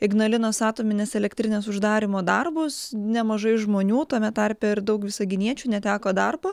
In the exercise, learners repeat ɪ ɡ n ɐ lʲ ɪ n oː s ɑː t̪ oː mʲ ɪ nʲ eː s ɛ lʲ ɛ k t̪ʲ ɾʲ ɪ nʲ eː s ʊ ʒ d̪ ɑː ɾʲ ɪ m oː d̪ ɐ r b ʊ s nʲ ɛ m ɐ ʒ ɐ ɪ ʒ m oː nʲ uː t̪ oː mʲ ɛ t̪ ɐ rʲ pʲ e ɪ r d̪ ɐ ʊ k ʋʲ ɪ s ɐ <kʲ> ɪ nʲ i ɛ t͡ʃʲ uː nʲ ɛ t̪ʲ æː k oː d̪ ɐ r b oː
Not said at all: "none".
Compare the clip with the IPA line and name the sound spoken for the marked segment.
ɡʲ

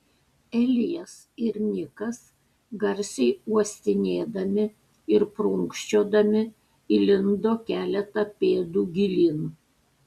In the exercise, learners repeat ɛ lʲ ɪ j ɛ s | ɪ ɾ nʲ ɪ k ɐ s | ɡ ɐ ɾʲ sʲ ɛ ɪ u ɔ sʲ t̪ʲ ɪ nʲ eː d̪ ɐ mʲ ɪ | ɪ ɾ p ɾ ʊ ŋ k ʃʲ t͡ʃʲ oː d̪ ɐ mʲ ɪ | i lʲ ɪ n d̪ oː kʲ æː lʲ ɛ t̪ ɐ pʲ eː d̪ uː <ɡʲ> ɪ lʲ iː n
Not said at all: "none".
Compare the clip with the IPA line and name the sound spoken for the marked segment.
ɡʲ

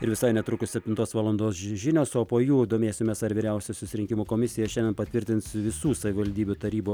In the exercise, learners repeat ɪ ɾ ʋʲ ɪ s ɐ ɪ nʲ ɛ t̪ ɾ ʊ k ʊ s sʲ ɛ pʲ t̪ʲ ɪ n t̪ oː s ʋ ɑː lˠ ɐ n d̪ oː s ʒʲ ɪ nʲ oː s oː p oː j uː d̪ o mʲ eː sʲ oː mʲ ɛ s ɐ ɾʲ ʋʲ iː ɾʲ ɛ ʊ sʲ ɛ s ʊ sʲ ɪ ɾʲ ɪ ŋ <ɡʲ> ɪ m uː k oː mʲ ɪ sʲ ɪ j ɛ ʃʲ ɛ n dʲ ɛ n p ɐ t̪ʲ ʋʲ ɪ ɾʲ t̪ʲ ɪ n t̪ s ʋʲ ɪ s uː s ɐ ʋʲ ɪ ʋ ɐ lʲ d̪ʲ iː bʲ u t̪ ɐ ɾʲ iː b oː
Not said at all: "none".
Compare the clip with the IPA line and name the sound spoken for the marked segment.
kʲ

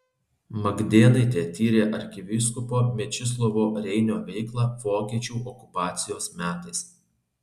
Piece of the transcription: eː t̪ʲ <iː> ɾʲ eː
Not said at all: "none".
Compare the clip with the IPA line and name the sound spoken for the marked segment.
iː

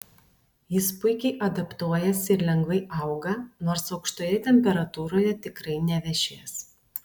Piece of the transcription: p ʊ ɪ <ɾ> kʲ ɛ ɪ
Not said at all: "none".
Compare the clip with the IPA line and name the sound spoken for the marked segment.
none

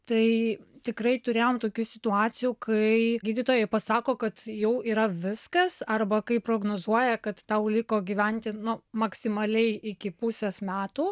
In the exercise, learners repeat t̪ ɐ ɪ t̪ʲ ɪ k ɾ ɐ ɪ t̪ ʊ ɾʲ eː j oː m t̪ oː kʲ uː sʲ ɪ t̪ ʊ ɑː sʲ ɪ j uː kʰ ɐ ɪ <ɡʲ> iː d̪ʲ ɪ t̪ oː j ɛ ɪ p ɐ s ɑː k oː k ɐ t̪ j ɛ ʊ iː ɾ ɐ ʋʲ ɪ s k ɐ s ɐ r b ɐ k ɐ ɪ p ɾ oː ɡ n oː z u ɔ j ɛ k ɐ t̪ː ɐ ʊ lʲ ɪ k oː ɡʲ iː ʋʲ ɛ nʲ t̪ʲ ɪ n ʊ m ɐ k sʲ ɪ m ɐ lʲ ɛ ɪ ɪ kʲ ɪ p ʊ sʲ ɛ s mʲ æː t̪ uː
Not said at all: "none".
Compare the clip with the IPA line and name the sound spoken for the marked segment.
ɡʲ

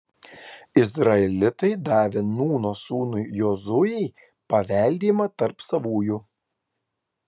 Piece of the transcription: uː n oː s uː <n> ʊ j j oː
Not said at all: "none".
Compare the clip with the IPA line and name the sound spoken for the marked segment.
n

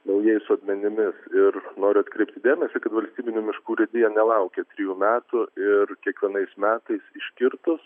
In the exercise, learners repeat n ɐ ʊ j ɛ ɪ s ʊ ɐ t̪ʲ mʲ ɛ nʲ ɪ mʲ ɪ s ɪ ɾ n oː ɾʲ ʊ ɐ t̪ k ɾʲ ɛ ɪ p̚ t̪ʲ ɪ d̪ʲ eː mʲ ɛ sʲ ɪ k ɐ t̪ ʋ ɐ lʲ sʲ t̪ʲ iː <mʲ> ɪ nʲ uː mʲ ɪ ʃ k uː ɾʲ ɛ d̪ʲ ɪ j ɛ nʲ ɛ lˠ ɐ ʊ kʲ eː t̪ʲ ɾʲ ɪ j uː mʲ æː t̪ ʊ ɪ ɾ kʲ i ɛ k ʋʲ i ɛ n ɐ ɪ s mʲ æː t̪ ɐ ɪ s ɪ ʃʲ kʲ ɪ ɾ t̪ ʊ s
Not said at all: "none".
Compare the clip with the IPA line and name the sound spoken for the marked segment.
bʲ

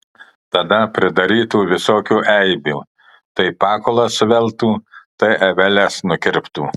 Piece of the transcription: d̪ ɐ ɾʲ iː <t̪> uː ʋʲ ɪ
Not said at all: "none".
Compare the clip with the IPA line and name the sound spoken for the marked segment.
t̪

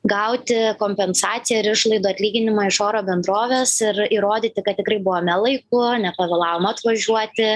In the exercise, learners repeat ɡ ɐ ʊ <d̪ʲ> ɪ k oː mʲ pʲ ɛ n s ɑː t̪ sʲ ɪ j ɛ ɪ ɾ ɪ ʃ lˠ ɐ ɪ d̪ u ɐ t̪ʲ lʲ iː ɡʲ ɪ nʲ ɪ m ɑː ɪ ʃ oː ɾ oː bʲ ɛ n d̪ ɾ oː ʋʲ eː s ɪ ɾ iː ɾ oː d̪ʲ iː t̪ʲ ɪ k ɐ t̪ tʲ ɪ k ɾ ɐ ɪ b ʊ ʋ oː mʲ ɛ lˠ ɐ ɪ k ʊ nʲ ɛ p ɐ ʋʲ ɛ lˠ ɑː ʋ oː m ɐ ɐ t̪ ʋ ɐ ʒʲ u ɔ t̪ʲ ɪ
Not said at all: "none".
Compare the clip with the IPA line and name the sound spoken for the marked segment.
t̪ʲ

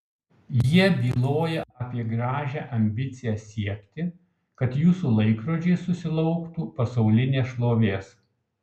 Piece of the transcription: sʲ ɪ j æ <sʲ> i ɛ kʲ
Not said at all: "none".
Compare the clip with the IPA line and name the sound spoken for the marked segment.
sʲ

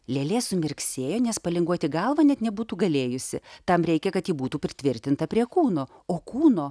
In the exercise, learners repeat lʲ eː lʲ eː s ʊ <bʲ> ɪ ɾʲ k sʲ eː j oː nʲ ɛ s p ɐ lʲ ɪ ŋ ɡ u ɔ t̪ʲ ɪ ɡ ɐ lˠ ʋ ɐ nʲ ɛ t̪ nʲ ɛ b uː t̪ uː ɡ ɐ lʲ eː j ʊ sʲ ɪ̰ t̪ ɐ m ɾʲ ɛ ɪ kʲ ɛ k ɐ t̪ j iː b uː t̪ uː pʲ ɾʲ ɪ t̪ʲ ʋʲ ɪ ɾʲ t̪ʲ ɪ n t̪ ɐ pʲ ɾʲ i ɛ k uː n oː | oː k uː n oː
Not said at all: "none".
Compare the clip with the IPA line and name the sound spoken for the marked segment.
mʲ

